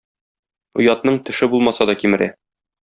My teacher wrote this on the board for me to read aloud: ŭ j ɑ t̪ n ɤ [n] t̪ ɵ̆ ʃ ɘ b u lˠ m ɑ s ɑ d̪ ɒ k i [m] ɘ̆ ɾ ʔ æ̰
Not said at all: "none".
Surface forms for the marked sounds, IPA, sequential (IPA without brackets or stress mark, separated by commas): ɴ, m